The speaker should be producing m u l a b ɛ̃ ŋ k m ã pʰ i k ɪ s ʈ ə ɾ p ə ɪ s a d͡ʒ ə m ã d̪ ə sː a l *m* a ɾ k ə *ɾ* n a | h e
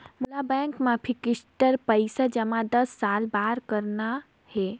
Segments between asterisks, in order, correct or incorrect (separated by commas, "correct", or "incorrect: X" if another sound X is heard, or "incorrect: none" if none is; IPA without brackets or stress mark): incorrect: b, correct